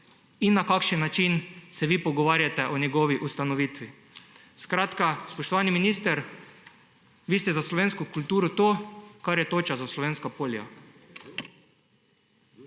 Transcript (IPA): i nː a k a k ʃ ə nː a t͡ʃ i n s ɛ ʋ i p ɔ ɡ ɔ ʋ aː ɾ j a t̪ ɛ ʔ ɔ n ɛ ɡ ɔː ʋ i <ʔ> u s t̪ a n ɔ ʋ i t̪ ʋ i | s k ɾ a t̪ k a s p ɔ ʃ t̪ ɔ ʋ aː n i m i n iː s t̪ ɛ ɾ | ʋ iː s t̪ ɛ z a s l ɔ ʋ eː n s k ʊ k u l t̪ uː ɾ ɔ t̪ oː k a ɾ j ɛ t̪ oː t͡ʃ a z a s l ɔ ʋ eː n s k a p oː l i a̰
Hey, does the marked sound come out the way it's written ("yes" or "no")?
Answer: yes